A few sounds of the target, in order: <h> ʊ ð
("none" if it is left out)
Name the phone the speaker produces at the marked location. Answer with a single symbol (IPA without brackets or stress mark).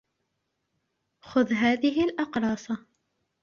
x